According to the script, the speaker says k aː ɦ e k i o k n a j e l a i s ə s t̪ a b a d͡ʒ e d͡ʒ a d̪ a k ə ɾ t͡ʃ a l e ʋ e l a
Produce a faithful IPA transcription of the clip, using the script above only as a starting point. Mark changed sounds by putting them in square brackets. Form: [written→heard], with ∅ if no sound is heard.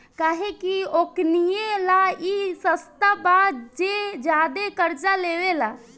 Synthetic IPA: k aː ɦ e k i o k n [a→i] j e l a i s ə s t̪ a b a d͡ʒ e d͡ʒ a d̪ [a→e] k ə ɾ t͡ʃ a l e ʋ e l a